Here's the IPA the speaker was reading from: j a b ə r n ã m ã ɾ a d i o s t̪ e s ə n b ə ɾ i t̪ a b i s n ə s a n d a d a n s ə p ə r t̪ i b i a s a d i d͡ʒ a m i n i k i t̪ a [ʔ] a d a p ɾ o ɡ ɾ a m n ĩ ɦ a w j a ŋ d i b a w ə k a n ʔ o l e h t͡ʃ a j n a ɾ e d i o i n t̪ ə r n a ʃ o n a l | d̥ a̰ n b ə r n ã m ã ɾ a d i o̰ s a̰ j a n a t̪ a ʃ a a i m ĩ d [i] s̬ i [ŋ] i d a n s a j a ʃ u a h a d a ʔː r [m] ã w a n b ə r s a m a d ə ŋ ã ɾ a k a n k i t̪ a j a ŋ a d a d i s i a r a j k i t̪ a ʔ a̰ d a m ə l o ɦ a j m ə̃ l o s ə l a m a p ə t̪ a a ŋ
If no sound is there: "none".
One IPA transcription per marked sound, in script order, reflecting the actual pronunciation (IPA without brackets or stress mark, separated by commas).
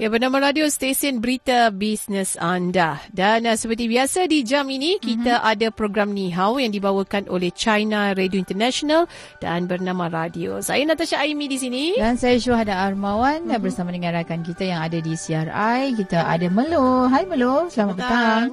ʔ, i, n, m